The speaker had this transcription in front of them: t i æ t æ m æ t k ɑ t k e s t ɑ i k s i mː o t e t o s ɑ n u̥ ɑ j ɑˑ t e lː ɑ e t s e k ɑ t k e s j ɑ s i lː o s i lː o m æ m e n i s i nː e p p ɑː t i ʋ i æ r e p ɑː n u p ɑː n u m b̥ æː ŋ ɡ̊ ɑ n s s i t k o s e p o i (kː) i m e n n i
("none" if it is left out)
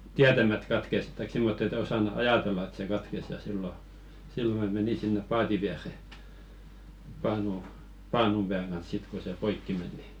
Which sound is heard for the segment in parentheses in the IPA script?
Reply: kː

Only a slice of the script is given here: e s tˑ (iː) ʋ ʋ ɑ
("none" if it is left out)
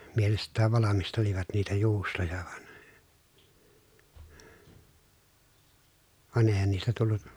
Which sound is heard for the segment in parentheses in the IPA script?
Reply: æː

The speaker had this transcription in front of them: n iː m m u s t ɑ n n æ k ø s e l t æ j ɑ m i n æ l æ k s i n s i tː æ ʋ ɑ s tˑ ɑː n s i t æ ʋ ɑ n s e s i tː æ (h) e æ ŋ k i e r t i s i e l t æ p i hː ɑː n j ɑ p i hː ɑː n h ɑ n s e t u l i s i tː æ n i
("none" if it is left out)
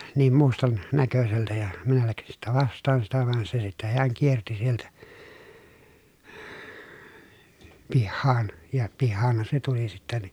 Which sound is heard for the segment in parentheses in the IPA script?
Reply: h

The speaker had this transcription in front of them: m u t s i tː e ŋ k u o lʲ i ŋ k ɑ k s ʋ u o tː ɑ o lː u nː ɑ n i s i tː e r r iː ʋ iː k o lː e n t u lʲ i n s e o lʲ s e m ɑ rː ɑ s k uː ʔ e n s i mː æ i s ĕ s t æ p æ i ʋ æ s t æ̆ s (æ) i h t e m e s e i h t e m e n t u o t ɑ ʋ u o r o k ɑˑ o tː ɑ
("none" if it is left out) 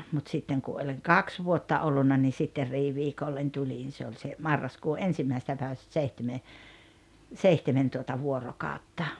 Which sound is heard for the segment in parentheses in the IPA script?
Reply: e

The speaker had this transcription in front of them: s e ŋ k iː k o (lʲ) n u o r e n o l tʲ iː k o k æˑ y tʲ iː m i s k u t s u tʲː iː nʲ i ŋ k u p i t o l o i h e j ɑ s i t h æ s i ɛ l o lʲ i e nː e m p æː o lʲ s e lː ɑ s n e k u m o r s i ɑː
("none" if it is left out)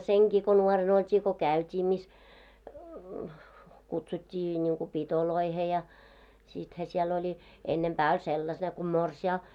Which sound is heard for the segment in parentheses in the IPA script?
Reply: none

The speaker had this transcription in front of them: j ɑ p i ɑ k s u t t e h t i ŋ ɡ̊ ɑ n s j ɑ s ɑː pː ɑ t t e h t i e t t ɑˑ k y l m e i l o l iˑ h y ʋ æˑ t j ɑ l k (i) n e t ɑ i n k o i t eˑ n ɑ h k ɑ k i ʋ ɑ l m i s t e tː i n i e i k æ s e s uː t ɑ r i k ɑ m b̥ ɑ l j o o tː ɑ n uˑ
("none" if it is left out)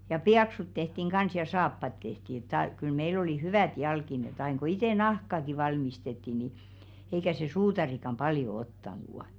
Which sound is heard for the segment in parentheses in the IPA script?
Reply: i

